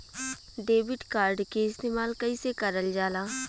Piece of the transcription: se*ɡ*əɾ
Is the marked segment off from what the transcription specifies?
yes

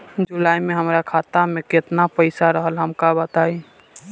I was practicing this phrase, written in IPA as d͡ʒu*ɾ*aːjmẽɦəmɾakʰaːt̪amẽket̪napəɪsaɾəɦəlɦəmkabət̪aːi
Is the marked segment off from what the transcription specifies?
yes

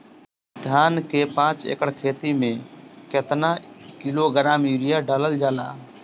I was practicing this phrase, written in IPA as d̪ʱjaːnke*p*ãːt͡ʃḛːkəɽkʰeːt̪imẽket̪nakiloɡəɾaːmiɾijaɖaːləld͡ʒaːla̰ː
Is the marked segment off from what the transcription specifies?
no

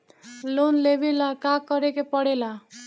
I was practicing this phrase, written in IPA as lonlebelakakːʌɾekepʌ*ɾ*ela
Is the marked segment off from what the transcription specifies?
yes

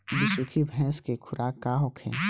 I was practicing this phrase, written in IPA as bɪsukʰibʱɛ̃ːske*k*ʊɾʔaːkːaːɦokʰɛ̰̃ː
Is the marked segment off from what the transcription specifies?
yes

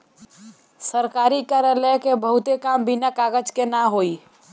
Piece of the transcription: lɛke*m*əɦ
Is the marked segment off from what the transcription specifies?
yes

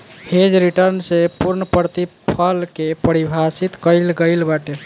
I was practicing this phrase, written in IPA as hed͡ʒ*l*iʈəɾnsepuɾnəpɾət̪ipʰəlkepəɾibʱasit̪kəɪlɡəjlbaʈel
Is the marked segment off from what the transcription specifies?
yes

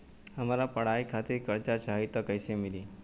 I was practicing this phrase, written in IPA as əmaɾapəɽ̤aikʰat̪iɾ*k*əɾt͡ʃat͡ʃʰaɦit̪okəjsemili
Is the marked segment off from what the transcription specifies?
no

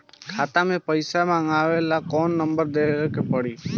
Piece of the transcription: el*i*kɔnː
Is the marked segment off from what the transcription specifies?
yes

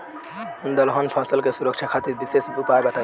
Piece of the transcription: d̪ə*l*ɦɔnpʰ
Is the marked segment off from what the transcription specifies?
no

